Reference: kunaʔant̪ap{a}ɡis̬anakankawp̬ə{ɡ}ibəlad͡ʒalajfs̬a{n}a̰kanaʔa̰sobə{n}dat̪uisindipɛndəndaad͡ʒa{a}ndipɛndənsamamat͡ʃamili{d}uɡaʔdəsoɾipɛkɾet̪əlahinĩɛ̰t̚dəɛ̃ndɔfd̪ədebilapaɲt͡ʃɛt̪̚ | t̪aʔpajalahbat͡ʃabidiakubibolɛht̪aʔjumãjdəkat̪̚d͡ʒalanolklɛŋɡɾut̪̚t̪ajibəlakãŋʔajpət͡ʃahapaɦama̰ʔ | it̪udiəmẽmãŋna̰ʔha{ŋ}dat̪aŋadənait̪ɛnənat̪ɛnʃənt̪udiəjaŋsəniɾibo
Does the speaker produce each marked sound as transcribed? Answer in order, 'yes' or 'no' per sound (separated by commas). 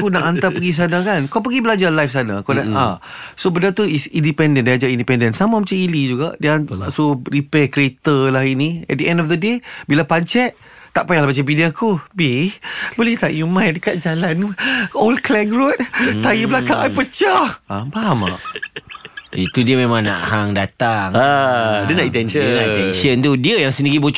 no, yes, yes, yes, no, no, yes